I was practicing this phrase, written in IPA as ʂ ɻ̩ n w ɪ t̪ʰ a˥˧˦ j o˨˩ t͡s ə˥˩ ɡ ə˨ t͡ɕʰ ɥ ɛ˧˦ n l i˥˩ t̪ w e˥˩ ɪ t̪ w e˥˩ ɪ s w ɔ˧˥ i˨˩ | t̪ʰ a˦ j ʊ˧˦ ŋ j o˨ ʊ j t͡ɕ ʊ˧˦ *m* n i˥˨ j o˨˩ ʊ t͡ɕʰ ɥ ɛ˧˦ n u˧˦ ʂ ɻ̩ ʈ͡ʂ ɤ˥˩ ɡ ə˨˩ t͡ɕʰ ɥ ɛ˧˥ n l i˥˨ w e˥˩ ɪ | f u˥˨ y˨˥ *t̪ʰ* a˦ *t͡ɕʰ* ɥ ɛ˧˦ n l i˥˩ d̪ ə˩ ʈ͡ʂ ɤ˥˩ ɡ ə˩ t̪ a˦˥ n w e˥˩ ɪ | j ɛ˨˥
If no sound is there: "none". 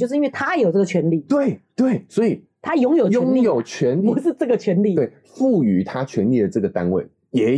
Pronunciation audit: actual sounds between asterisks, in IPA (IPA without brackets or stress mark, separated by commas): ŋ, t̪ʰ, t͡ɕʰ